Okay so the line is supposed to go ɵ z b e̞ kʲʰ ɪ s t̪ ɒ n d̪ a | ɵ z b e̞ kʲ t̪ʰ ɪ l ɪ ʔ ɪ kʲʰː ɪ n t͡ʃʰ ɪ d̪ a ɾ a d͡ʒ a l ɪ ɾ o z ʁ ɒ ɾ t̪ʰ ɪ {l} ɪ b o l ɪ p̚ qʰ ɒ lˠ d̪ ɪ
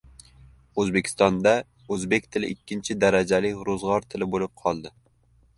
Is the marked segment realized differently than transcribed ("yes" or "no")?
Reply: no